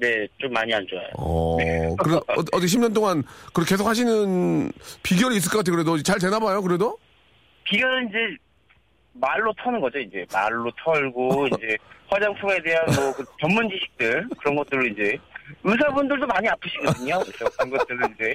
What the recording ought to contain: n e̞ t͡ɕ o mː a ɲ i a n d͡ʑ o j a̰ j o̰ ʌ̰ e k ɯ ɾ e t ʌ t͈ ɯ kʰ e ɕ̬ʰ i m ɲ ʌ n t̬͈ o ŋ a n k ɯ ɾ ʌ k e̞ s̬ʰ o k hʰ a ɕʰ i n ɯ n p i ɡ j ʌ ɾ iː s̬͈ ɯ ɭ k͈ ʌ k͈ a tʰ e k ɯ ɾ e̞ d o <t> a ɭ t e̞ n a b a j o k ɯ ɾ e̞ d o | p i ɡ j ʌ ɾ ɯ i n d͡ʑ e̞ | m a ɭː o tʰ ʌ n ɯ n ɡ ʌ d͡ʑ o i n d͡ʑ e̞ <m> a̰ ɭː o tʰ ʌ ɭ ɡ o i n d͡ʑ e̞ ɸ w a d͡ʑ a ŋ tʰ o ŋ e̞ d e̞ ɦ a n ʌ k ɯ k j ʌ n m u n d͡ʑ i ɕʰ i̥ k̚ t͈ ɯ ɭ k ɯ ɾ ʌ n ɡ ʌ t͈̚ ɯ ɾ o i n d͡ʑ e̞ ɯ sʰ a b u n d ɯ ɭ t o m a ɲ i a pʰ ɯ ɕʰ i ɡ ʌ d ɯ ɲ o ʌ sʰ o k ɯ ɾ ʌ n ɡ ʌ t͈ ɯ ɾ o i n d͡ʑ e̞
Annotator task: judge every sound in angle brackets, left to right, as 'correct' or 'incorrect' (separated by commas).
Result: incorrect, correct